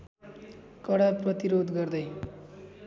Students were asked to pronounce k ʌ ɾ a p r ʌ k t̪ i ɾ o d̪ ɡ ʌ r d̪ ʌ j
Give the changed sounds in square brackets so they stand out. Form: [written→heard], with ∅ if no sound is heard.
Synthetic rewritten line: k ʌ [ɾ→ɽ] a p r ʌ [k→∅] t̪ i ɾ o d̪ ɡ ʌ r d̪ ʌ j

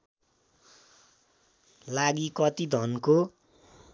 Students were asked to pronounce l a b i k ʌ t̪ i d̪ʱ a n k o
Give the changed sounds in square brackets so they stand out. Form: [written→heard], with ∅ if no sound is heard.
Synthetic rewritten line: l a [b→ɡ] i k ʌ t̪ i d̪ʱ [a→ʌ] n k o

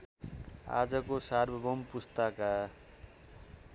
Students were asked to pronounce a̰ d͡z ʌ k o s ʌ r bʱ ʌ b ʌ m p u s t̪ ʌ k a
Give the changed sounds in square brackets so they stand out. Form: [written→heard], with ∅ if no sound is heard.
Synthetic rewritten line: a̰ d͡z ʌ k o s [ʌ→a] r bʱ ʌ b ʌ m p u s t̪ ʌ k a

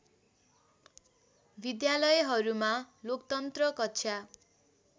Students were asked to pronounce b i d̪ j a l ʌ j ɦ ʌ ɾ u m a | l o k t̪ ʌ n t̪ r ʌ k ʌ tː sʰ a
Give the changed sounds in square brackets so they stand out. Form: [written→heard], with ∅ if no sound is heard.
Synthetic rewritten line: b i d̪ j a l ʌ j ɦ ʌ ɾ u m a | l o k t̪ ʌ n t̪ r ʌ k ʌ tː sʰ a

